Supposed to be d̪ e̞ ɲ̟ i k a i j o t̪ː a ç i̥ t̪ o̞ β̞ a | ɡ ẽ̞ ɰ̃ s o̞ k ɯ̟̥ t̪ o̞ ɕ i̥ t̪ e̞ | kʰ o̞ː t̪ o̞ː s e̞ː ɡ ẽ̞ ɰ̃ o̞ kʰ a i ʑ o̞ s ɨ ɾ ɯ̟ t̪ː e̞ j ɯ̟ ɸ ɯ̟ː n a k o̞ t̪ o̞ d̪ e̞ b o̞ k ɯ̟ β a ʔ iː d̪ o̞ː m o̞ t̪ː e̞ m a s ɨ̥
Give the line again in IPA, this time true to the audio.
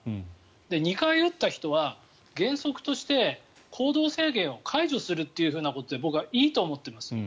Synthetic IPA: d̪ e̞ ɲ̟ i k a i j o t̪ː a ç i̥ t̪ o̞ β̞ a | ɡ ẽ̞ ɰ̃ s o̞ k ɯ̟̥ t̪ o̞ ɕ i̥ t̪ e̞ | kʰ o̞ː d̪ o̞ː s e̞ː ɡ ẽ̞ ɰ̃ o̞ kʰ a i ʑ o̞ s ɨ ɾ ɯ̟ t̪ː e̞ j ɯ̟ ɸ ɯ̟ː n a k o̞ t̪ o̞ d̪ e̞ b o̞ k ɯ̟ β a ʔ iː t̪ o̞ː m o̞ t̪ː e̞ m a s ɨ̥